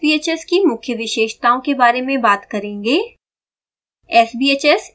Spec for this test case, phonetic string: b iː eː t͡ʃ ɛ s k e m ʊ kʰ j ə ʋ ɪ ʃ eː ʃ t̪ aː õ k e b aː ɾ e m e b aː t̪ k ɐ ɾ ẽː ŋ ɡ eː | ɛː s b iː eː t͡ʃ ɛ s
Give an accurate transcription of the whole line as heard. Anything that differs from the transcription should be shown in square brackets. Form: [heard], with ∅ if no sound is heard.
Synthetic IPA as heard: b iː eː t͡ʃ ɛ s k [i] m ʊ kʰ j ə ʋ ɪ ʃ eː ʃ t̪ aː õ k e b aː ɾ e m [ẽ] b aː t̪ k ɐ ɾ ẽː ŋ ɡ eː | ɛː s b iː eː t͡ʃ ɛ s